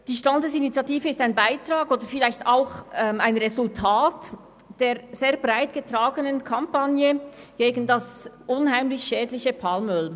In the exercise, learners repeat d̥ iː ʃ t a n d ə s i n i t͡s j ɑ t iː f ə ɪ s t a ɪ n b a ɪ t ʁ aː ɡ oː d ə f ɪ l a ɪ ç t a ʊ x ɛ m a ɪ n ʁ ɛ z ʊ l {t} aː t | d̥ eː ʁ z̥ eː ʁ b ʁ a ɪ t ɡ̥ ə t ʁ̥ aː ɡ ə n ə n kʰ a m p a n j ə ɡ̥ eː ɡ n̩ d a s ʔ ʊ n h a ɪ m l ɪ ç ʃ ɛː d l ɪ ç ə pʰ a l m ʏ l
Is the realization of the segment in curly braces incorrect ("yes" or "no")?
yes